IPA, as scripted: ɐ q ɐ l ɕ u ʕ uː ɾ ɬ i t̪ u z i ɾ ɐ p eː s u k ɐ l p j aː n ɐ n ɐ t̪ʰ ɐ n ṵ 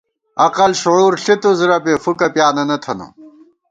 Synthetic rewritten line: ɐ q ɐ l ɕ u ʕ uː ɾ ɬ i t̪ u z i ɾ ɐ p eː f u k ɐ p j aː n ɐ n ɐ t̪ʰ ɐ n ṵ